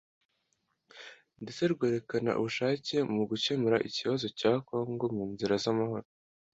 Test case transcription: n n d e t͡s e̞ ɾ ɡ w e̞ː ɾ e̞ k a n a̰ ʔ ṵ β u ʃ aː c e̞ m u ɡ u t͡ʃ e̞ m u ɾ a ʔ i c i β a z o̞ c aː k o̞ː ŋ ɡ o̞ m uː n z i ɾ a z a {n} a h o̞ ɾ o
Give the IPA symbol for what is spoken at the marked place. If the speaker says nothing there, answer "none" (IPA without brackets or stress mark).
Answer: m